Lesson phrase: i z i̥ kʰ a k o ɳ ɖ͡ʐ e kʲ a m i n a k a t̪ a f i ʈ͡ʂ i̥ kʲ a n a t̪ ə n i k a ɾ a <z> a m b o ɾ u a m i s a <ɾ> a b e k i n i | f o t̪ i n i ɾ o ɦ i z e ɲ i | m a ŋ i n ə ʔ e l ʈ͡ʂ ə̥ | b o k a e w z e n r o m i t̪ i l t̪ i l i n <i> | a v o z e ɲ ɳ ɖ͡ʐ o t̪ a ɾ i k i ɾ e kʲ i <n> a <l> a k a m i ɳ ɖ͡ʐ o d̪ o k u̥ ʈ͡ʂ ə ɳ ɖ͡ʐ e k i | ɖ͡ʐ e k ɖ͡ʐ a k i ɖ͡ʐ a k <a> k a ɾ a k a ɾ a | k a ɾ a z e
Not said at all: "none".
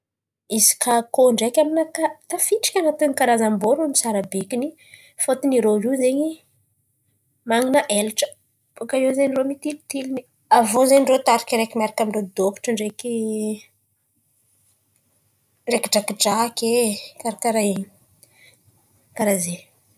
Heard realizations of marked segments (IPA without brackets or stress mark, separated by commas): z, ɾ, i, m, ɾ, e